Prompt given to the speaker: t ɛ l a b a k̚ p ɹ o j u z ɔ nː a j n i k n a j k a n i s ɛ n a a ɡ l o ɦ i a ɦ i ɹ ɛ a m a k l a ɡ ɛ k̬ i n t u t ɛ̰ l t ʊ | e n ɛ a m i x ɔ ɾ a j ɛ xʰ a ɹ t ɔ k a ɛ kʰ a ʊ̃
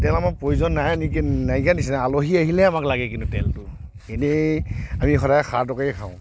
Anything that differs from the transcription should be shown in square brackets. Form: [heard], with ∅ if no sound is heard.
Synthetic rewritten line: t ɛ l a [m] a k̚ p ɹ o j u z ɔ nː a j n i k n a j k a n i s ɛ n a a [∅] l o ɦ i a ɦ i [l] ɛ a m a k l a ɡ ɛ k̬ i n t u t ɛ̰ l t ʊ | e n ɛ a m i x ɔ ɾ a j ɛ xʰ a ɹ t ɔ k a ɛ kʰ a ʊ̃